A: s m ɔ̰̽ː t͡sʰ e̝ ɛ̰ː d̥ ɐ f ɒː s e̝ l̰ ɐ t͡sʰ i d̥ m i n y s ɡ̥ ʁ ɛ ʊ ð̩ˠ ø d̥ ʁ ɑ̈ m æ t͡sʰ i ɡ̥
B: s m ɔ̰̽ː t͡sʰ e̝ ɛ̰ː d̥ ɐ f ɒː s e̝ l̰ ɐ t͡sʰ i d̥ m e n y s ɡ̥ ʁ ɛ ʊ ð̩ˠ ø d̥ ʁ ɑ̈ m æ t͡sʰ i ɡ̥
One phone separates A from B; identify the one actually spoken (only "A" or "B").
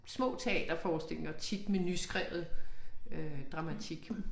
B